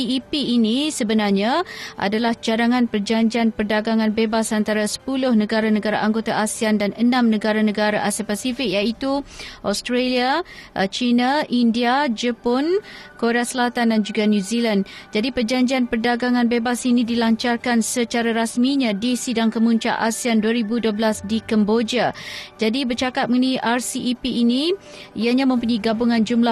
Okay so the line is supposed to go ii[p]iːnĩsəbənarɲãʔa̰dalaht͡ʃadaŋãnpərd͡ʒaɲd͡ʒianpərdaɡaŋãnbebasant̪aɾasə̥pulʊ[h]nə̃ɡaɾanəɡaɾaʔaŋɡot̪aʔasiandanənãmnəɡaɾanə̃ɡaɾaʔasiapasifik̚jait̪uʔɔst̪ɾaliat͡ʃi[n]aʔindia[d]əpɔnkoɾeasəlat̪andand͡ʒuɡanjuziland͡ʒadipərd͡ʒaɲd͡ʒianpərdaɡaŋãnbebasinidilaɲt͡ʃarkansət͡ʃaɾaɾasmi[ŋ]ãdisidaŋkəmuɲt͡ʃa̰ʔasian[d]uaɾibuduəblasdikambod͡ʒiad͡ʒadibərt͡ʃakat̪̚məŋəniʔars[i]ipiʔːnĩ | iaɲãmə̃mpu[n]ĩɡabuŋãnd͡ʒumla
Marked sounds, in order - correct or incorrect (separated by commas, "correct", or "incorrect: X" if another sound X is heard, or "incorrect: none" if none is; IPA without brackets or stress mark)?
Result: correct, correct, correct, incorrect: d͡ʒ, incorrect: ɲ, correct, correct, incorrect: ɲ